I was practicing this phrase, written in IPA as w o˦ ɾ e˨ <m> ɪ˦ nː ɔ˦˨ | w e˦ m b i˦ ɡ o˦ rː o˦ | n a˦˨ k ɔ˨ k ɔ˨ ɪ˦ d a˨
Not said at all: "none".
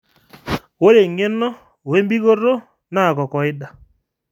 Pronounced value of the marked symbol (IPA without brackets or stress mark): ŋ